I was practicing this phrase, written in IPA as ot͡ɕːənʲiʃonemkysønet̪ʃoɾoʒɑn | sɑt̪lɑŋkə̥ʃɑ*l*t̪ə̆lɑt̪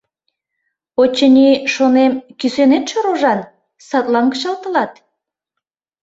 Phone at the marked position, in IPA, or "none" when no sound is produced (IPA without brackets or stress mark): l